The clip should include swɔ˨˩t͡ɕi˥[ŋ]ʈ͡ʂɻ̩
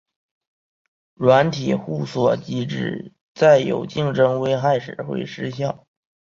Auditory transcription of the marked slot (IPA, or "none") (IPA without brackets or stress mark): none